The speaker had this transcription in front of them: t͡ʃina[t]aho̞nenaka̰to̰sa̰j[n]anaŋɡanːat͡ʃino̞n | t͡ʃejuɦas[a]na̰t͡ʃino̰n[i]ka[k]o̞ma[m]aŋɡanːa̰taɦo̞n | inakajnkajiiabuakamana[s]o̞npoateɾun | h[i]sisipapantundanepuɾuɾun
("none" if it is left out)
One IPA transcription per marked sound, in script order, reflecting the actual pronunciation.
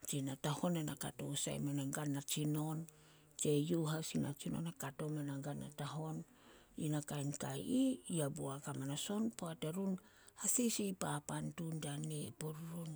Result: t, m, i, a, t, n, s, a

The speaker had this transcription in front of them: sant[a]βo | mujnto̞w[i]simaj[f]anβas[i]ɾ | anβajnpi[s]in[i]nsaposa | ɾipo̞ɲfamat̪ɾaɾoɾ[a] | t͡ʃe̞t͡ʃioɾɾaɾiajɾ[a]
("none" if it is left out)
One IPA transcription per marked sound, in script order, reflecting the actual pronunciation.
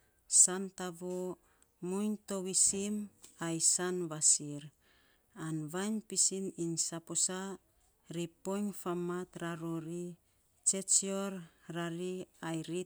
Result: a, i, s, i, s, i, i, i

